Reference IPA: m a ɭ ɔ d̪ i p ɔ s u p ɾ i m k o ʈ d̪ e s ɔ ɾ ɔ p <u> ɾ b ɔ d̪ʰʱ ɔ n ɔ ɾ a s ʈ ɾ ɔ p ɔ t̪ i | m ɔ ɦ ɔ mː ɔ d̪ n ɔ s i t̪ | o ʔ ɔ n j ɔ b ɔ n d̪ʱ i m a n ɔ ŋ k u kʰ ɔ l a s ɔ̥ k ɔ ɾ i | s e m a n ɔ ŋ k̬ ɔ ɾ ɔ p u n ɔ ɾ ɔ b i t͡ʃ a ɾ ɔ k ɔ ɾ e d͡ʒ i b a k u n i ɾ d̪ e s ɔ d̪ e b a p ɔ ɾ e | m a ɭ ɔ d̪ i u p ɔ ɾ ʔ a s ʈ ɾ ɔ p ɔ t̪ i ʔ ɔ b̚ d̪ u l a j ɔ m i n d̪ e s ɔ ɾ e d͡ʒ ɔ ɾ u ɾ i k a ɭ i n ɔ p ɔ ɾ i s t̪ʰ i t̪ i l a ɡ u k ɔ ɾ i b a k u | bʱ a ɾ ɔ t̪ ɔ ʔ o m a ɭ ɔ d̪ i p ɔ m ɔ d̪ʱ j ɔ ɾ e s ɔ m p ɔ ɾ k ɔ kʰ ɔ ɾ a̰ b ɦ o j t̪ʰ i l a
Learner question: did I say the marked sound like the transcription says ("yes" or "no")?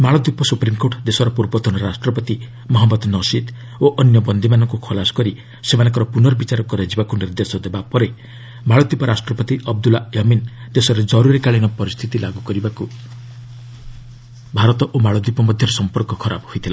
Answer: yes